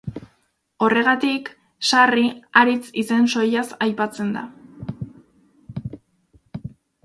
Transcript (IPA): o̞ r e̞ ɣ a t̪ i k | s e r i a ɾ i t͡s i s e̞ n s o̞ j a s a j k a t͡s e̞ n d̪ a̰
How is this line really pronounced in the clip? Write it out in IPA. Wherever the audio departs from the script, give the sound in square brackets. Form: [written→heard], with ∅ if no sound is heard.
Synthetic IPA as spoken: o̞ r e̞ ɣ a t̪ i k | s [e→a] r i a ɾ i t͡s i s e̞ n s o̞ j a s a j [k→p] a t͡s e̞ n d̪ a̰